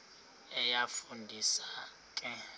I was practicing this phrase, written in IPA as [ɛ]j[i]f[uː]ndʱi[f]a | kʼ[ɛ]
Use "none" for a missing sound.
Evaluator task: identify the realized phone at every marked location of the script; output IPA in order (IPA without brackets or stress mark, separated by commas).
ɛ, a, u, s, ɛ